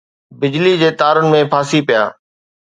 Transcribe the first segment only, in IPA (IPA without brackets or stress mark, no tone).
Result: b